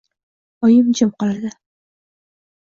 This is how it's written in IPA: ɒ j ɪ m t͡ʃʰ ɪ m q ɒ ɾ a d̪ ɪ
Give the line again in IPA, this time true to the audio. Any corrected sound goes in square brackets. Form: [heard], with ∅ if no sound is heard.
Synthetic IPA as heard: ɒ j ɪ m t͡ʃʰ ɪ m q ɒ [l] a d̪ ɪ